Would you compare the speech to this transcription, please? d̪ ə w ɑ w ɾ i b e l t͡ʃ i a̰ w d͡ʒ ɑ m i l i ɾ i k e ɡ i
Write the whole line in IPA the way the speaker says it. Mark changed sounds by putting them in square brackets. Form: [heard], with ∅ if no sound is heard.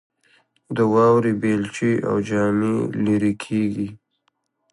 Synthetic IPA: d̪ ə w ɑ w ɾ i b e l t͡ʃ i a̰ w d͡ʒ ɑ m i l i ɾ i [kʰ] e ɡ i